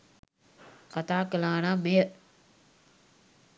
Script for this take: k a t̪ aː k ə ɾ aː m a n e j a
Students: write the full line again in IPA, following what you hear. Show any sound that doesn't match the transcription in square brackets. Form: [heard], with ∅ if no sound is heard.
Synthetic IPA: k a t̪ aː k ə [l] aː [n] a [m] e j [ə]